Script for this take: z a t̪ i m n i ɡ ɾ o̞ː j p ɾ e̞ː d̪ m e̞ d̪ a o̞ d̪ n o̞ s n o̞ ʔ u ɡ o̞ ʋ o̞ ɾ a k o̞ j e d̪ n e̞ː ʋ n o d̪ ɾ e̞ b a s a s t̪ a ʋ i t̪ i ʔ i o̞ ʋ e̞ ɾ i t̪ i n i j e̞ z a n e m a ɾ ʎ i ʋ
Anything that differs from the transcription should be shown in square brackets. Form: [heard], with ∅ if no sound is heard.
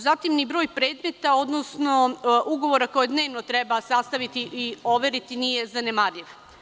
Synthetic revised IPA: z a t̪ i m n i [b] ɾ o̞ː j p ɾ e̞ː d̪ m e̞ [t̪] a o̞ d̪ n o̞ s n o̞ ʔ u ɡ o̞ ʋ o̞ ɾ a k o̞ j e d̪ n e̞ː ʋ n o [t̪] ɾ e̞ b a s a s t̪ a ʋ i t̪ i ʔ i o̞ ʋ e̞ ɾ i t̪ i n i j e̞ z a n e m a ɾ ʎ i ʋ